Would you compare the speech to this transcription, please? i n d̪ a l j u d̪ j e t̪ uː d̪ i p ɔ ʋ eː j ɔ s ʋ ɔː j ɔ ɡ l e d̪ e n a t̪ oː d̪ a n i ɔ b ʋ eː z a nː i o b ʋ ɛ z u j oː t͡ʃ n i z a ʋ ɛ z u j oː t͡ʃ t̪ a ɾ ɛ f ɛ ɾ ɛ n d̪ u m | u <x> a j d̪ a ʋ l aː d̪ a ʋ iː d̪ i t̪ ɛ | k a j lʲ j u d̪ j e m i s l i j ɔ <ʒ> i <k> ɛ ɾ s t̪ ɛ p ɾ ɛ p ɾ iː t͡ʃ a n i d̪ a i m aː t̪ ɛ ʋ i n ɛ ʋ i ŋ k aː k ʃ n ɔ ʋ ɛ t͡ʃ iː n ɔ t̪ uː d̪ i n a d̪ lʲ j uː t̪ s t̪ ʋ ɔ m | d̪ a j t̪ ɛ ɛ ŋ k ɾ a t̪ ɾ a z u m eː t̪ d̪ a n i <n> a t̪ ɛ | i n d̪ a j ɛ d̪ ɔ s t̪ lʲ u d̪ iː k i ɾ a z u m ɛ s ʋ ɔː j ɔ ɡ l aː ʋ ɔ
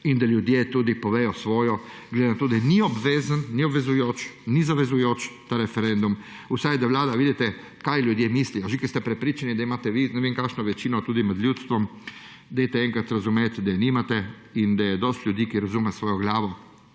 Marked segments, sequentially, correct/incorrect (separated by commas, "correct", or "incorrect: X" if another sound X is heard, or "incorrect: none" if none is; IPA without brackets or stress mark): incorrect: s, correct, correct, incorrect: m